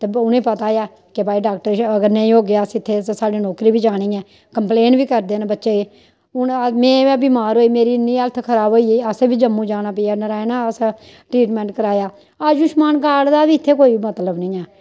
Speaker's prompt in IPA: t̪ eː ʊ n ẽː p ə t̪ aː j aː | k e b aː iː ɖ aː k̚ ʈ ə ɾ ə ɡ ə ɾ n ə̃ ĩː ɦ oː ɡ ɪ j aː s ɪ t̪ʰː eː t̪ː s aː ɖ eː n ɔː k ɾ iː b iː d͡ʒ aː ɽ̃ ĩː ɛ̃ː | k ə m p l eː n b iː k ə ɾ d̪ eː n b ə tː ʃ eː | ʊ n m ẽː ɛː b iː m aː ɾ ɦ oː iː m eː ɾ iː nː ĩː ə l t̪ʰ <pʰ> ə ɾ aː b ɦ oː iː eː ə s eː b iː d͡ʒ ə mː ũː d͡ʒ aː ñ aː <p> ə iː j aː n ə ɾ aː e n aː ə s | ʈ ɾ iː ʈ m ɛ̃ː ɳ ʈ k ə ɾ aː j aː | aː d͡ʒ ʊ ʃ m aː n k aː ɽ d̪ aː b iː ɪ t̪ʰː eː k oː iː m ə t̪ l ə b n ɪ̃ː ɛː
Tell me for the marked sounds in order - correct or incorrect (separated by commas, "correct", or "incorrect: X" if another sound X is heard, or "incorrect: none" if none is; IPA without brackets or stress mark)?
incorrect: kʰ, correct